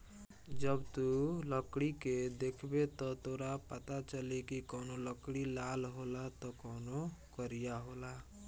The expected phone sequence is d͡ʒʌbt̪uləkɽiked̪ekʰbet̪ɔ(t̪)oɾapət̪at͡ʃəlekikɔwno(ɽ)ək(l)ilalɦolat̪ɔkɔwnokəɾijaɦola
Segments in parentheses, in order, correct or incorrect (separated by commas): correct, incorrect, incorrect